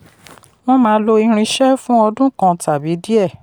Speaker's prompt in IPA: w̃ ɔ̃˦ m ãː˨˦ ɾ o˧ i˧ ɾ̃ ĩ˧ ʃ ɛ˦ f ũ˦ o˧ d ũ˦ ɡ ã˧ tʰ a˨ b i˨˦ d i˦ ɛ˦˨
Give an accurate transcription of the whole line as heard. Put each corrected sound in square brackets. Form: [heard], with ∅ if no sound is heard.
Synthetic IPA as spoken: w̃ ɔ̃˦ m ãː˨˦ [l] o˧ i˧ ɾ̃ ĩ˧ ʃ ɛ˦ f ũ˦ [ɔ˧] d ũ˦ [k] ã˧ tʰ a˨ b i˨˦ d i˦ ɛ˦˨